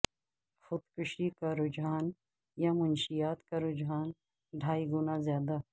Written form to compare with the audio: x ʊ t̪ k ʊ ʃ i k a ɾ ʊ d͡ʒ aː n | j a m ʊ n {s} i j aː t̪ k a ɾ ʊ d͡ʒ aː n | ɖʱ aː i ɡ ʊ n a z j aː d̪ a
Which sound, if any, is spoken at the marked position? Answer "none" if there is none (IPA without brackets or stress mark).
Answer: ʃ